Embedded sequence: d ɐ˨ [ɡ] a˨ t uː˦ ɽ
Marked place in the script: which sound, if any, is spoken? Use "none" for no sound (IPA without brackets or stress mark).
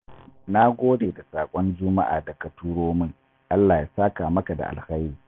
k